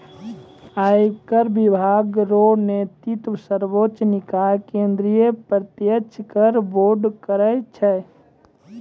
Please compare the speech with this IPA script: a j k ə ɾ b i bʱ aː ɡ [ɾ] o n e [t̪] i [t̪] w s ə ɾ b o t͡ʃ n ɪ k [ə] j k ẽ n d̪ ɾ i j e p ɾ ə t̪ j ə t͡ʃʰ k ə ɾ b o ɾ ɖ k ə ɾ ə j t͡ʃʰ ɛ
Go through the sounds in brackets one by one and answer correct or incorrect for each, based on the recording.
correct, correct, correct, incorrect: a

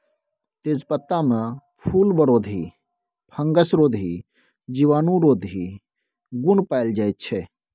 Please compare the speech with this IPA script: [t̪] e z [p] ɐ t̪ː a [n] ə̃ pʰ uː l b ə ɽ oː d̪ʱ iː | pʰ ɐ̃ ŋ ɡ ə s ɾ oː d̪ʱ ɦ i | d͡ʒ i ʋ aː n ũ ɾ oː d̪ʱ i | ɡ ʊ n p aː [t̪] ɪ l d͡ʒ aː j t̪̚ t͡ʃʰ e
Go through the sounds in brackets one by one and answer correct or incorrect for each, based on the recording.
correct, correct, incorrect: m, incorrect: none

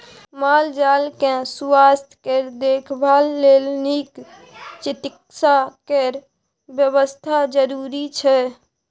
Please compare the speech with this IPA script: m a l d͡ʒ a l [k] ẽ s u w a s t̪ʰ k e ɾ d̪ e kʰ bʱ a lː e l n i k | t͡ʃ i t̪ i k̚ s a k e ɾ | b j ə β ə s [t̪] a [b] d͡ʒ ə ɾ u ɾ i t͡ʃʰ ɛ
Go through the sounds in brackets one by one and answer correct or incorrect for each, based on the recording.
correct, incorrect: t̪ʰ, incorrect: none

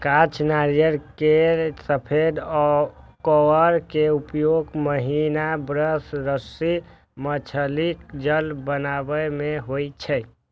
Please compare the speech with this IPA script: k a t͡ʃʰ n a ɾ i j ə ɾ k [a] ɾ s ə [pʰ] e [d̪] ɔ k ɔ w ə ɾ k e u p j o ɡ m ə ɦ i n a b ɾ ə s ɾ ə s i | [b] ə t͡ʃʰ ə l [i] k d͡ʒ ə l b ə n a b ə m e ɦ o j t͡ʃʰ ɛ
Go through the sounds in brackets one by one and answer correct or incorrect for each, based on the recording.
incorrect: e, correct, correct, incorrect: m, correct

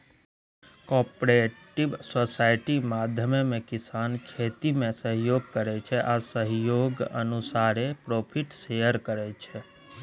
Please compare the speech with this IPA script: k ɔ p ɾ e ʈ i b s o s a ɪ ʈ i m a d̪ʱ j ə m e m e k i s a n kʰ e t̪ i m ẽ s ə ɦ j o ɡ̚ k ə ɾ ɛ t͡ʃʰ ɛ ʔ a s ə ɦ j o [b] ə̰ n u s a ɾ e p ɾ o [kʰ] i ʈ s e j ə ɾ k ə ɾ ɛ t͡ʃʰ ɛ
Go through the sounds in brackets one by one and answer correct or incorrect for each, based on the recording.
incorrect: ɡ, incorrect: pʰ

